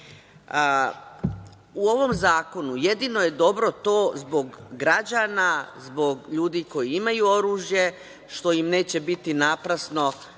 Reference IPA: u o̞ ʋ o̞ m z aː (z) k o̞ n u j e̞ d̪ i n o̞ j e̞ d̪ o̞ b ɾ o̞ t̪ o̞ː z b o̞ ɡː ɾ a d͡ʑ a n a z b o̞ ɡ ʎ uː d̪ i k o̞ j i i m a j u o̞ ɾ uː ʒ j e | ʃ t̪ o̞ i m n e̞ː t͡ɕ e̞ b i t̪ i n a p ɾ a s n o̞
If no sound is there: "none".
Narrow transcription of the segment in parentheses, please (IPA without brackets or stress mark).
none